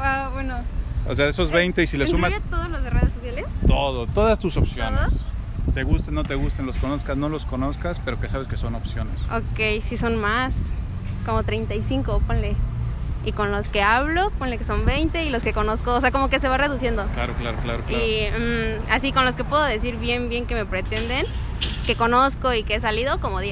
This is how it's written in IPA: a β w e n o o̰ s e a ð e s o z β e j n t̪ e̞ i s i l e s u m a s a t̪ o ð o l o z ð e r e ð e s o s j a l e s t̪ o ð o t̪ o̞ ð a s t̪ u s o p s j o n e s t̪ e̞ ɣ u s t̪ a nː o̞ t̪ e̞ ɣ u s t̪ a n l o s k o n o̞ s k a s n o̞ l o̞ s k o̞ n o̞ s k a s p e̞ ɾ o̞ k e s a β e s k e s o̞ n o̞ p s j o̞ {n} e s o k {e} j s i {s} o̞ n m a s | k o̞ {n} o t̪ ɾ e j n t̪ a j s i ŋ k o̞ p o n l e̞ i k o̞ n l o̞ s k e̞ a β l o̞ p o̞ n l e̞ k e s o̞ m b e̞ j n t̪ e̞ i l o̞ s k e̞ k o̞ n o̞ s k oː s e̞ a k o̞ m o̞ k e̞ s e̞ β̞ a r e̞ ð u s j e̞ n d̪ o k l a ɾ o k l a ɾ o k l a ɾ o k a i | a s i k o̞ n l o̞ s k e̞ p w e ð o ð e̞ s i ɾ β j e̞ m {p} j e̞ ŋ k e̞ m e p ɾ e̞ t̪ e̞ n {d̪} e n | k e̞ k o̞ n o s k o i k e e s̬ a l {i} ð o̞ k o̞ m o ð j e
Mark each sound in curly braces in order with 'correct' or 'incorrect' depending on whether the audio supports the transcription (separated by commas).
correct, correct, correct, incorrect, incorrect, correct, correct